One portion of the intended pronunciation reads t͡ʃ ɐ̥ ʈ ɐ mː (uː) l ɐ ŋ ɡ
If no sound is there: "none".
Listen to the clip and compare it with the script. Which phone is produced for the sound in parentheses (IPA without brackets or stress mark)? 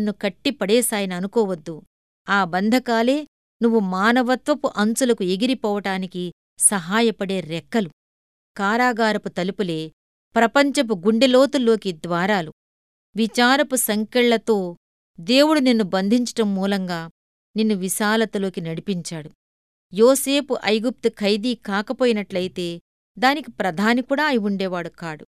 uː